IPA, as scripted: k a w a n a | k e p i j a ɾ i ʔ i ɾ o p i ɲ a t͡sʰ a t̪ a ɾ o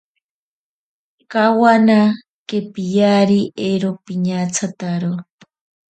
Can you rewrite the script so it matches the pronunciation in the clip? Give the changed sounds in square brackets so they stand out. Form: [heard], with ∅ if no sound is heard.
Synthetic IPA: k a w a n a | k e p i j a ɾ i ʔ [e] ɾ o p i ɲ a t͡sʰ a t̪ a ɾ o

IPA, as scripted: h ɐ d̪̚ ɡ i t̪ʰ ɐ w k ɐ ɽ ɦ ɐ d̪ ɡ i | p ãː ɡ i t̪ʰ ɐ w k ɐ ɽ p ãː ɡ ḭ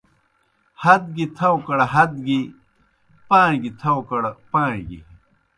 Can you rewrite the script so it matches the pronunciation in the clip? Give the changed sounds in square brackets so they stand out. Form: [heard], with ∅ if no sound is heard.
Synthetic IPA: h ɐ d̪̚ ɡ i t̪ʰ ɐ w k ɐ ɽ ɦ ɐ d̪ ɡ i | p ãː ɡ i t̪ʰ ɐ w k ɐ ɽ p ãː ɡ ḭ

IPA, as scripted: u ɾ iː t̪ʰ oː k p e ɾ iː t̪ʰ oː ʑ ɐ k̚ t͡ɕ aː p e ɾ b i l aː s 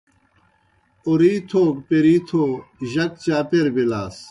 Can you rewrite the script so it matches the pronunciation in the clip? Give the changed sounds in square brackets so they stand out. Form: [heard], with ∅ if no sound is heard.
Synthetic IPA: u ɾ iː t̪ʰ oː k p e ɾ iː t̪ʰ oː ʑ ɐ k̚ t͡ɕ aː p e ɾ b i l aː s

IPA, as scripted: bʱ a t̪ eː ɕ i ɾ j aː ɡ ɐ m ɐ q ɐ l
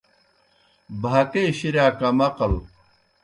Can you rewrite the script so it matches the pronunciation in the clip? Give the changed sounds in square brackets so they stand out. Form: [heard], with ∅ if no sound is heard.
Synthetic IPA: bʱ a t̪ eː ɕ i ɾ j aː [k] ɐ m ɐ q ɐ l

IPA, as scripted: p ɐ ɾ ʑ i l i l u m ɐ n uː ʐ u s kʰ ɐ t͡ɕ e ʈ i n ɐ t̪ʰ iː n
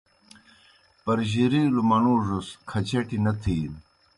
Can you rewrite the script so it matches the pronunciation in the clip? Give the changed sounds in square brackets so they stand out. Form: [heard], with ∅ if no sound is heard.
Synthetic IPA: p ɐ ɾ ʑ i [ɾ] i l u m ɐ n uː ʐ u s kʰ ɐ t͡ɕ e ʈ i n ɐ t̪ʰ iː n

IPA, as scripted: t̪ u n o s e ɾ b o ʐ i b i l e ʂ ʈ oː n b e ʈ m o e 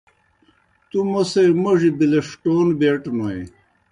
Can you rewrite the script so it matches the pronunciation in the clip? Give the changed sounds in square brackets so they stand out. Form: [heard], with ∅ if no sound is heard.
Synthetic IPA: t̪ u [m] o s e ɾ [m] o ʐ i b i l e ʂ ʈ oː n b e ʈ [n] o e

